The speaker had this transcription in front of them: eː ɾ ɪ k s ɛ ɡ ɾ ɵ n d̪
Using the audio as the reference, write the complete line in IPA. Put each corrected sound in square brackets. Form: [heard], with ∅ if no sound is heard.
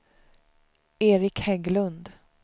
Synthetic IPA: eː ɾ ɪ k [h] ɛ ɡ [l] ɵ n d̪